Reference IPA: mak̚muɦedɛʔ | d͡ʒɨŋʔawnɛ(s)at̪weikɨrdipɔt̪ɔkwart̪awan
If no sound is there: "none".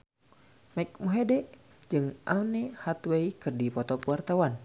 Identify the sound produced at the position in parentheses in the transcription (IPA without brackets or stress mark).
h